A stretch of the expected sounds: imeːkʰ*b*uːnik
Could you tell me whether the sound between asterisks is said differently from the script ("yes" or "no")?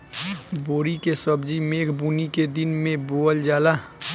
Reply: no